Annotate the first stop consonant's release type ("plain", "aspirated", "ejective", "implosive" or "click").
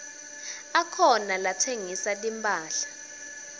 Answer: aspirated